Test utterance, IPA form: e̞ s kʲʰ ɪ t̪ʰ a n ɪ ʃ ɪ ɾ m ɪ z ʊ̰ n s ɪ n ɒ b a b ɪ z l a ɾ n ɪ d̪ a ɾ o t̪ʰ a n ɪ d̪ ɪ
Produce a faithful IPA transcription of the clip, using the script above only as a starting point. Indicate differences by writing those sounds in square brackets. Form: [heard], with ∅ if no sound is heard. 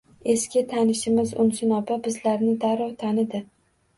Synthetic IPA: e̞ s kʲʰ ɪ t̪ʰ a n ɪ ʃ ɪ [∅] m ɪ z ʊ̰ n s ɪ n ɒ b a b ɪ z l a ɾ n ɪ d̪ a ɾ [ɒ] t̪ʰ a n ɪ d̪ ɪ